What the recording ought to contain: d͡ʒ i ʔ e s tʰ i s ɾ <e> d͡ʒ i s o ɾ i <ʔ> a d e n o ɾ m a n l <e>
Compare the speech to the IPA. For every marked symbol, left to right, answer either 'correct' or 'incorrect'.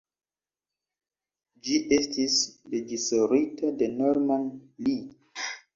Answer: correct, incorrect, incorrect

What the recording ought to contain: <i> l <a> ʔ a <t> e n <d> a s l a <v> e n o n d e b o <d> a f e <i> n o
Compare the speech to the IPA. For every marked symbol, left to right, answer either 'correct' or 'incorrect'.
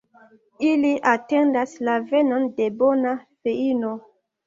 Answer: correct, incorrect, correct, correct, correct, incorrect, correct

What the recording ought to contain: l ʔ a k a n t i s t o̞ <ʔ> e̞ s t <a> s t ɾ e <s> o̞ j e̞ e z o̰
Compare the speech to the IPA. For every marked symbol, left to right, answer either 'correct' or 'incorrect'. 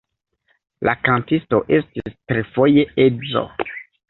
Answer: correct, incorrect, incorrect

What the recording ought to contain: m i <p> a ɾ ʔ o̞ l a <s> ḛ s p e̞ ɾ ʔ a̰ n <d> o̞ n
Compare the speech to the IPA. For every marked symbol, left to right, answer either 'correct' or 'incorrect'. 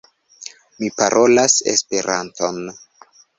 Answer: correct, correct, incorrect

